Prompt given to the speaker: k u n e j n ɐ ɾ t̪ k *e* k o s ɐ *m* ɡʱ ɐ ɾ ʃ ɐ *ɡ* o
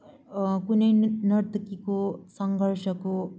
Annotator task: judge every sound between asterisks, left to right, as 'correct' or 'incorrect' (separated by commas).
incorrect, incorrect, incorrect